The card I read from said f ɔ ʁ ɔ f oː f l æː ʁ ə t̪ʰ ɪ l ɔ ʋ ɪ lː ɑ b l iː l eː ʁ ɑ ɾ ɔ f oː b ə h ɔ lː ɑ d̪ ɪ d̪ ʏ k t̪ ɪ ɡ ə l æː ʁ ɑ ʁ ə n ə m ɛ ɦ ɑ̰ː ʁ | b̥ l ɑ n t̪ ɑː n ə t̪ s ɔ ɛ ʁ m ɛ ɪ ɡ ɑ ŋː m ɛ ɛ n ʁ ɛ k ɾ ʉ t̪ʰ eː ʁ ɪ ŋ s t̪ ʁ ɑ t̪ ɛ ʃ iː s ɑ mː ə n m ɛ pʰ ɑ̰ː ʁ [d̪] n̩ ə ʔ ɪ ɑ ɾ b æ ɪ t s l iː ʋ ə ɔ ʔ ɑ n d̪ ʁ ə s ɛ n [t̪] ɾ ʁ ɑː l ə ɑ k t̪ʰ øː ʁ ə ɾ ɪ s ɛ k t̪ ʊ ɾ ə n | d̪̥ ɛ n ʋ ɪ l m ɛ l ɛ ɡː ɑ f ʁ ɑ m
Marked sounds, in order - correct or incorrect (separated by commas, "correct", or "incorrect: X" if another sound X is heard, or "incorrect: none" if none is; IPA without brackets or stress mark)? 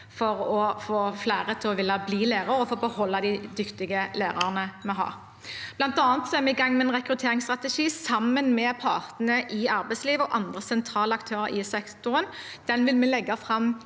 incorrect: t̪, incorrect: t̪ʰ